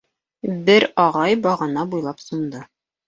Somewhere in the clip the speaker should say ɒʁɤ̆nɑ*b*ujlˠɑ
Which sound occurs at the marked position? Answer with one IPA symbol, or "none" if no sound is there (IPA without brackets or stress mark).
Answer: b